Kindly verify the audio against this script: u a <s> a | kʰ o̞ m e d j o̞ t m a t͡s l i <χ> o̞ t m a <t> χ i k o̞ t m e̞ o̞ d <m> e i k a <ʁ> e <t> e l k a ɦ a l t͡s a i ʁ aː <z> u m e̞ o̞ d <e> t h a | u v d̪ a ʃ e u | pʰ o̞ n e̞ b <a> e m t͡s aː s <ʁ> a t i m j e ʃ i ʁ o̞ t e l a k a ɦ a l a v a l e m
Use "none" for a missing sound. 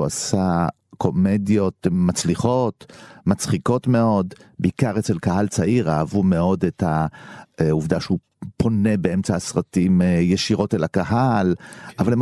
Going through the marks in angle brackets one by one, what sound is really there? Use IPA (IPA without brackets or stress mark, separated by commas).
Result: s, χ, t͡s, b, ʁ, t͡s, v, e, e, ʁ